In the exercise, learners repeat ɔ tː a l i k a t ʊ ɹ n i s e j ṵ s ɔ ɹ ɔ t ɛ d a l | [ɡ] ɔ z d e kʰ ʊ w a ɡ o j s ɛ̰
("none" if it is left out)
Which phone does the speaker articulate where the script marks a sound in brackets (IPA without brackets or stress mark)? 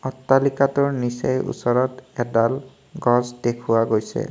ɡ